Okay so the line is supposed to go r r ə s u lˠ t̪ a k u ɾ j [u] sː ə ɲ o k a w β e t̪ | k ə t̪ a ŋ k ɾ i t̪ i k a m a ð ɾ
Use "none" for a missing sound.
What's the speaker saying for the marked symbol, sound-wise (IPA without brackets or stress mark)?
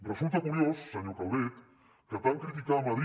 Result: o